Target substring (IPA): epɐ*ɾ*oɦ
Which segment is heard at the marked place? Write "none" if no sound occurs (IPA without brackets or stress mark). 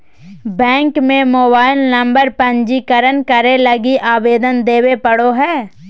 ɽ